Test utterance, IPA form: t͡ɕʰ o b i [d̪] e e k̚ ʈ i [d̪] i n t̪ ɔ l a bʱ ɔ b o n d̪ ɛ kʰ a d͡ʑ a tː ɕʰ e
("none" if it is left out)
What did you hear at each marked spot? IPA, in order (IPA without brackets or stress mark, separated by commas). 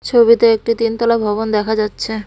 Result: t̪, t̪